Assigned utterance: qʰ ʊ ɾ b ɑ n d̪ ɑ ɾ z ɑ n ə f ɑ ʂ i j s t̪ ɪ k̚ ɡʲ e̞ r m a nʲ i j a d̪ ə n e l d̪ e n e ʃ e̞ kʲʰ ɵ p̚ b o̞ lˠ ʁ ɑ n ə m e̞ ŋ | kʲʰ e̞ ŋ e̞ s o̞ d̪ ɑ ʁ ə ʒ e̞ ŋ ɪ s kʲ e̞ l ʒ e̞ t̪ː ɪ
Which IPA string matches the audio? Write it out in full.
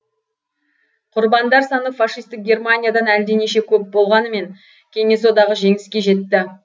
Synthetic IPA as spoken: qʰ ʊ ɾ b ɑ n d̪ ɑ ɾ s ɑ n ə f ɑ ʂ i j s t̪ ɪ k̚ ɡʲ e̞ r m a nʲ i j a d̪ ɑ n æ l d̪ e n e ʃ e̞ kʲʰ ɵ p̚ b o̞ lˠ ʁ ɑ n ə m e̞ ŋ | kʲʰ e̞ ŋ e̞ s o̞ d̪ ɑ ʁ ə ʒ e̞ ŋ ɪ s kʲ e̞ ʒ e̞ t̪ː ɪ